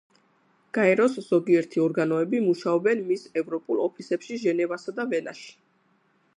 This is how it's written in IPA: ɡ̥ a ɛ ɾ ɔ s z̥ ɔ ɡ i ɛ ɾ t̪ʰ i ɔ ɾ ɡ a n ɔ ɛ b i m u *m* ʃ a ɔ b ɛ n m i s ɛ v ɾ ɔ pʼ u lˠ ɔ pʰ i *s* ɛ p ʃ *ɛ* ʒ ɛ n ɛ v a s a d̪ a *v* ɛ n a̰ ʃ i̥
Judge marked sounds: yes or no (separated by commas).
no, yes, no, yes